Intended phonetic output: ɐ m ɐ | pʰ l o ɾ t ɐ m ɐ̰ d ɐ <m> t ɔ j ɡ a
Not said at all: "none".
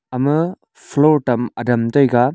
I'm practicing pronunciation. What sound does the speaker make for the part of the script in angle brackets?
m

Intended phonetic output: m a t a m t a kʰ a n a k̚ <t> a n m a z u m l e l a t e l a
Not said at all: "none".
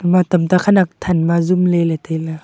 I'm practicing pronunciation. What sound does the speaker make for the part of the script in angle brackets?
tʰ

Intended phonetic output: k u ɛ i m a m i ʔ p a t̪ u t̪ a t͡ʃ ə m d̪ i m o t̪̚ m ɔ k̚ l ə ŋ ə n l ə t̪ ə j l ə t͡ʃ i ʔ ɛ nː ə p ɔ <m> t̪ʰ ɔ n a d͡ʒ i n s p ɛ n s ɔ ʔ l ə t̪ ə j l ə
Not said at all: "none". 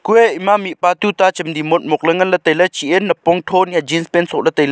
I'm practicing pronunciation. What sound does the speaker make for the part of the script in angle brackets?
ŋ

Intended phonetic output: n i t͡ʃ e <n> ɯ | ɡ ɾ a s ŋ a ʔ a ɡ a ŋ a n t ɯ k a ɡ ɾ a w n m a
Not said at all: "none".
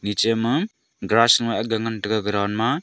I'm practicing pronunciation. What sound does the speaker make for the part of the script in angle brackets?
m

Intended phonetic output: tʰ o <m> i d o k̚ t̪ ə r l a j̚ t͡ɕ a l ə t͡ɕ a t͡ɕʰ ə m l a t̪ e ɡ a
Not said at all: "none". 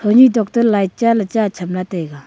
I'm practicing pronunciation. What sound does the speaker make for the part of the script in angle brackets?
ɲ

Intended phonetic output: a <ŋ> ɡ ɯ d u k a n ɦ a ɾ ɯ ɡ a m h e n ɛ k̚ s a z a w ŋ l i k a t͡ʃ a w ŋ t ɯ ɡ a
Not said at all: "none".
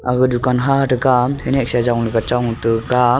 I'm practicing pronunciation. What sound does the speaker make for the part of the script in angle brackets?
none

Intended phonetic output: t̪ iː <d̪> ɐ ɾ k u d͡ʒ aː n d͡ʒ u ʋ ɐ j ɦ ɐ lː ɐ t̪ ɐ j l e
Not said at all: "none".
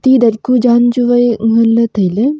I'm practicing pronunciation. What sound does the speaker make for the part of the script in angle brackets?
d̪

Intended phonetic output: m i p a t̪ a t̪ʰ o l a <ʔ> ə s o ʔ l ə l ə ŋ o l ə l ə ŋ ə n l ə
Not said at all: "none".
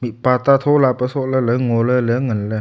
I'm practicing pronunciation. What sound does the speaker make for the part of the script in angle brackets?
p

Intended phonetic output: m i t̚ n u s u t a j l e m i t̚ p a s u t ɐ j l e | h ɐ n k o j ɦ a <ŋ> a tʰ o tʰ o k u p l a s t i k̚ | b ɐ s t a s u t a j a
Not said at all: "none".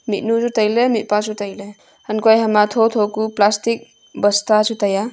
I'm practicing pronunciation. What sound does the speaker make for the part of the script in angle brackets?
m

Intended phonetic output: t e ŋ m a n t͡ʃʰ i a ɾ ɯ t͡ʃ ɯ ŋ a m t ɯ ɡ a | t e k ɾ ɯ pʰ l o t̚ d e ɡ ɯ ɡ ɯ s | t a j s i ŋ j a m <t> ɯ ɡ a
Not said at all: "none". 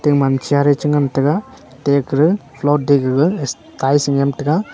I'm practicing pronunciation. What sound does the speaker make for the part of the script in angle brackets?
t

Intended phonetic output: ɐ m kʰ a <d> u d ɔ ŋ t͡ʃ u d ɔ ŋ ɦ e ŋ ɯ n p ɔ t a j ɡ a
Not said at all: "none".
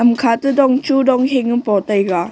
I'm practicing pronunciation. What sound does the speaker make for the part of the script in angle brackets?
t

